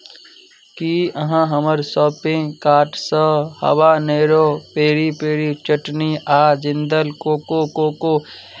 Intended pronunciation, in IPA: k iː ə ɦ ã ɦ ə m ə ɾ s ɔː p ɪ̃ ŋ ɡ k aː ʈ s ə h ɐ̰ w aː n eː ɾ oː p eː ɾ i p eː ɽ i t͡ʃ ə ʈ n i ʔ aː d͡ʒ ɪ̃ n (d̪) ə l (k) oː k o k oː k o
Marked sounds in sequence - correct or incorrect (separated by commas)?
correct, correct